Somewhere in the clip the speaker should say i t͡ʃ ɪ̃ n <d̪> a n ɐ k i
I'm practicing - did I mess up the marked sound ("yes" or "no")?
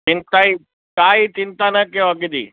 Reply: yes